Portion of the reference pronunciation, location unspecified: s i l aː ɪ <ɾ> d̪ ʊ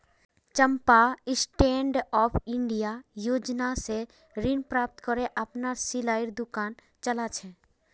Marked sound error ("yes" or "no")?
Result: no